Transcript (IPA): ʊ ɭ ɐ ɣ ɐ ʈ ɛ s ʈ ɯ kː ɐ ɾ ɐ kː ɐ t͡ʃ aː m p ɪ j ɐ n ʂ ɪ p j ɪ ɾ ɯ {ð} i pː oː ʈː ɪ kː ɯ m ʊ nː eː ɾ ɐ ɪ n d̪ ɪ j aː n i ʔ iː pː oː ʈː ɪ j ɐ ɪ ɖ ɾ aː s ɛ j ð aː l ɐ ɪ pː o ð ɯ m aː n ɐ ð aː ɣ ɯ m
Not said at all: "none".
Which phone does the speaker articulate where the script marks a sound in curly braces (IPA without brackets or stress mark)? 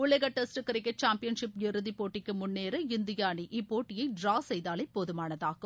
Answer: ð